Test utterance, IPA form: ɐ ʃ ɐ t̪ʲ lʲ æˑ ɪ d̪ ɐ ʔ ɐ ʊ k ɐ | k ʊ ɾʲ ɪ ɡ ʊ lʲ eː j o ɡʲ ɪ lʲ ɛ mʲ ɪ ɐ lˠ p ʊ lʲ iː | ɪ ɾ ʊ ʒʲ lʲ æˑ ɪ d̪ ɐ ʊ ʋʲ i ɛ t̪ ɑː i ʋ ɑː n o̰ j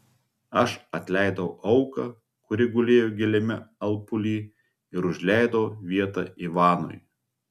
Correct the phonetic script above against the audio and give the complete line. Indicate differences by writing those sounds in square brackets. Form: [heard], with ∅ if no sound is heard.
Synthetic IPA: ɐ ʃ ɐ t̪ʲ lʲ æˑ ɪ d̪ ɐ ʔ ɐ ʊ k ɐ | k ʊ ɾʲ ɪ ɡ ʊ lʲ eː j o ɡʲ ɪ lʲ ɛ mʲ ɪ ɐ lˠ p ʊ lʲ iː | ɪ ɾ ʊ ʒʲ lʲ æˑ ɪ d̪ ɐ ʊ ʋʲ i ɛ t̪ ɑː i ʋ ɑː n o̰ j

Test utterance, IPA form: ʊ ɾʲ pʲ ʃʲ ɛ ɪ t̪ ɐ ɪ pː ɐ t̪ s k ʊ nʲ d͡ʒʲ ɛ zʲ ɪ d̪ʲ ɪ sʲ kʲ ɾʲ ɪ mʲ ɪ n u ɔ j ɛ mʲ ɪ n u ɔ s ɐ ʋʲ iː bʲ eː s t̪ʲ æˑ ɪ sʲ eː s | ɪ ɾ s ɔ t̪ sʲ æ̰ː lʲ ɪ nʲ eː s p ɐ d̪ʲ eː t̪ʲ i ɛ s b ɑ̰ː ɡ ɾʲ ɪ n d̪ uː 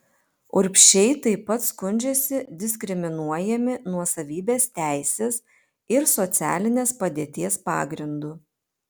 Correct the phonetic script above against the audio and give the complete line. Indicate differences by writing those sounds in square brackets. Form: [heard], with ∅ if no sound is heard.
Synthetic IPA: ʊ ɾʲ pʲ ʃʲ ɛ ɪ t̪ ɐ ɪ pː ɐ t̪ s k ʊ nʲ d͡ʒʲ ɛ [sʲ] ɪ d̪ʲ ɪ sʲ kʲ ɾʲ ɪ mʲ ɪ n u ɔ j ɛ mʲ ɪ n u ɔ s ɐ ʋʲ iː bʲ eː s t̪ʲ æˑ ɪ sʲ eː s | ɪ ɾ s ɔ t̪ sʲ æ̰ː lʲ ɪ nʲ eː s p ɐ d̪ʲ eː t̪ʲ i ɛ s [p] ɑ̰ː ɡ ɾʲ ɪ n d̪ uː

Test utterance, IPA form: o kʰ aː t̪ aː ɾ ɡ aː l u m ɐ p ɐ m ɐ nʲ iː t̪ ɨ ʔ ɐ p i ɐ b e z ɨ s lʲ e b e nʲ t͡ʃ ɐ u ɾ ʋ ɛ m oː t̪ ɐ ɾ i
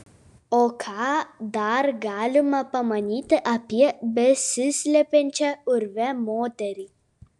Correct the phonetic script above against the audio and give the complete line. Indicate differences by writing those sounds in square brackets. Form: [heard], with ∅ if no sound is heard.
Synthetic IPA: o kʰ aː [d̪] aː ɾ ɡ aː l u m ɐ p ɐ m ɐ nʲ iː t̪ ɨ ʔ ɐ p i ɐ b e [s] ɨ s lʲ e [p] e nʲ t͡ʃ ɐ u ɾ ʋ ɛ m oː t̪ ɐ ɾ i

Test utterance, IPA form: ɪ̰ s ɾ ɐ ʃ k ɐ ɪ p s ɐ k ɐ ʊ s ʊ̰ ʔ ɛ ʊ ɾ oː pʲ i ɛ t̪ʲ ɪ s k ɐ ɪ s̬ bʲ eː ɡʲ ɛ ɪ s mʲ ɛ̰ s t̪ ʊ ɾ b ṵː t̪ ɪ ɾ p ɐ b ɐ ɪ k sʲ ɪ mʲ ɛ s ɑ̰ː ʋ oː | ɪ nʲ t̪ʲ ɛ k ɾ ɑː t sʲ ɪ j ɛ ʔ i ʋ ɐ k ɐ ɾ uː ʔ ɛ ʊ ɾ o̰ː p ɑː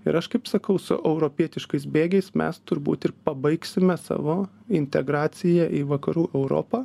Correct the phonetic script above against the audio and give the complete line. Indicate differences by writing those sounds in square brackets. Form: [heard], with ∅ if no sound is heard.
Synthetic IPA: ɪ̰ [∅] ɾ ɐ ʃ k ɐ ɪ p s ɐ k ɐ ʊ s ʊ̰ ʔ ɛ ʊ ɾ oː pʲ i ɛ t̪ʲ ɪ [ʃ] k ɐ ɪ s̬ bʲ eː ɡʲ ɛ ɪ s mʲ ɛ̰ s t̪ ʊ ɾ b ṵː t̪ ɪ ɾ p ɐ b ɐ ɪ k sʲ ɪ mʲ ɛ s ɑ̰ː ʋ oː | ɪ nʲ t̪ʲ ɛ [ɡ] ɾ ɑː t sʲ ɪ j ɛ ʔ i ʋ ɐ k ɐ ɾ uː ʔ ɛ ʊ ɾ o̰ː p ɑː

